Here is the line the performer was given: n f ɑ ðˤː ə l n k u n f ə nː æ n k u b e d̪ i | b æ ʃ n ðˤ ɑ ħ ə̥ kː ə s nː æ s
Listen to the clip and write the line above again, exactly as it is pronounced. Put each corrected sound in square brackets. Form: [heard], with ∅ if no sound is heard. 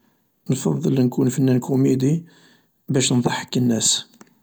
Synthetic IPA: n f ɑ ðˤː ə l n k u n f ə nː æ n k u [m] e d̪ i | b æ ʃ n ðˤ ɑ ħ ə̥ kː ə [∅] nː æ s